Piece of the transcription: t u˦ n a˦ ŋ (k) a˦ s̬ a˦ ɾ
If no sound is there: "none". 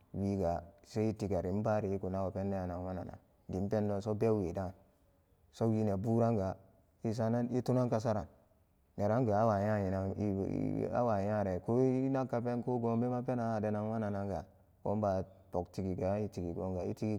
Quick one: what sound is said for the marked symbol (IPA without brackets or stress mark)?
k